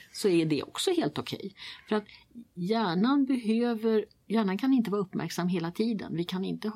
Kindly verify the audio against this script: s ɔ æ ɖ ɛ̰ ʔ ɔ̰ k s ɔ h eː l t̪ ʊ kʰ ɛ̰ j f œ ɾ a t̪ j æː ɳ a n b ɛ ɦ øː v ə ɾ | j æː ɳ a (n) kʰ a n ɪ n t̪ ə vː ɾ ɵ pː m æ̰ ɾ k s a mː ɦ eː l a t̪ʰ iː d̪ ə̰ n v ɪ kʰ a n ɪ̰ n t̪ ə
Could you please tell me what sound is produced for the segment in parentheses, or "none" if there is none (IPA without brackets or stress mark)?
n